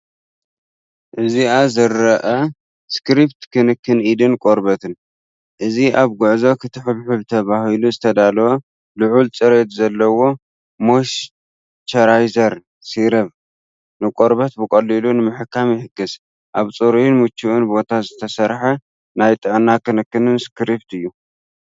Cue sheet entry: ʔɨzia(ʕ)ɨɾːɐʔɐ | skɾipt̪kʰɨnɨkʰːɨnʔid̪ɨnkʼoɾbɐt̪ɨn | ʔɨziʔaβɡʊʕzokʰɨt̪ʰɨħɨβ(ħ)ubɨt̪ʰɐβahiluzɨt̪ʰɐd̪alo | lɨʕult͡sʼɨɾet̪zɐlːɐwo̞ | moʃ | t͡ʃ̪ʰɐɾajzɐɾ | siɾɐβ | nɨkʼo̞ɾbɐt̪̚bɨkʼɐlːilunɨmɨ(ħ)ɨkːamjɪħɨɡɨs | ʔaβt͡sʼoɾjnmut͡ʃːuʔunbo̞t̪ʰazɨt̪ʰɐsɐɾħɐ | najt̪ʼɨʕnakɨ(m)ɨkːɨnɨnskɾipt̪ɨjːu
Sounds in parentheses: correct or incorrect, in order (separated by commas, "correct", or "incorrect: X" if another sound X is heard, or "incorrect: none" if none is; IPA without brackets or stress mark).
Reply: incorrect: z, correct, correct, incorrect: n